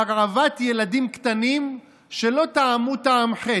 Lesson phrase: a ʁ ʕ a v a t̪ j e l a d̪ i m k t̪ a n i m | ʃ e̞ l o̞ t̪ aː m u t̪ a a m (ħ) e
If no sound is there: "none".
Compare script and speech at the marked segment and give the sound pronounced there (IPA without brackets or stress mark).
ħ